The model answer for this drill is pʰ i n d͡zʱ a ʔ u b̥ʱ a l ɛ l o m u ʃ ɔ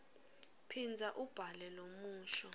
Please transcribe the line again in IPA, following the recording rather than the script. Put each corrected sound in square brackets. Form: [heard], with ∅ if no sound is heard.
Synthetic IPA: pʰ i n d͡zʱ a ʔ u b̥ʱ a l ɛ l o m [uː] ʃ ɔ